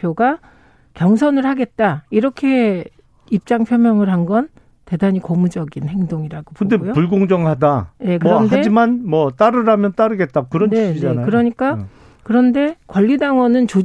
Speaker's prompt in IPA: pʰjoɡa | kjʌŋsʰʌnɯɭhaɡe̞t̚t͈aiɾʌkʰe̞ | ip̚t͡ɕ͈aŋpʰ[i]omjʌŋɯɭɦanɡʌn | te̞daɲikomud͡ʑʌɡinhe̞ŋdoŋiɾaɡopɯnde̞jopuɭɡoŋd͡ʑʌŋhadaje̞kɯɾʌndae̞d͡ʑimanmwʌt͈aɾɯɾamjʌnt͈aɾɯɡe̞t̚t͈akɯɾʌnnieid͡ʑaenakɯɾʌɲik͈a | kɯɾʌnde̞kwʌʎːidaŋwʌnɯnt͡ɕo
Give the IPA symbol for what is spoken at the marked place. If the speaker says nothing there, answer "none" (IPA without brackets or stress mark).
j